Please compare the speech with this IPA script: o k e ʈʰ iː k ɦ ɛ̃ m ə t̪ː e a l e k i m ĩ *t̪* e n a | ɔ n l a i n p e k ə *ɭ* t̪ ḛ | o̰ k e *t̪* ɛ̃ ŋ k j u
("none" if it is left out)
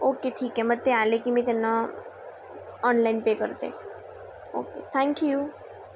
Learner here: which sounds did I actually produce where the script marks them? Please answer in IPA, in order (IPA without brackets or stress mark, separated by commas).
t̪, ɾ, t̪ʰ